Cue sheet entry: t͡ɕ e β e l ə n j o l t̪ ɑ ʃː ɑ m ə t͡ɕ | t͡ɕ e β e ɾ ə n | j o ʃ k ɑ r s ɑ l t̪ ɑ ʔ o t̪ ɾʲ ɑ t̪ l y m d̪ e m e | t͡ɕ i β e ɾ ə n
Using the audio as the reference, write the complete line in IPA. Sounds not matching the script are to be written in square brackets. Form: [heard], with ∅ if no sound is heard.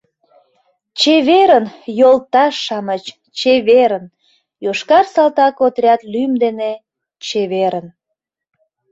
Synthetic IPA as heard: t͡ɕ e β e [ɾ] ə n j o l t̪ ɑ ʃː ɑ m ə t͡ɕ | t͡ɕ e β e ɾ ə n | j o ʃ k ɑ r s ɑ l t̪ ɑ [k] o t̪ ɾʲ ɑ t̪ l y m d̪ e [n] e | t͡ɕ [e] β e ɾ ə n